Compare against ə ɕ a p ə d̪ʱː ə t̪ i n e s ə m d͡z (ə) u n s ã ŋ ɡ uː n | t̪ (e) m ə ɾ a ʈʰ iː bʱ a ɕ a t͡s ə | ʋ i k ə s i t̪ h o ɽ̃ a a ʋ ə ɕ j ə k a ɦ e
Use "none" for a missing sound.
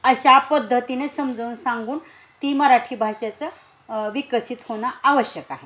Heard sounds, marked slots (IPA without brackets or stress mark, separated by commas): ə, i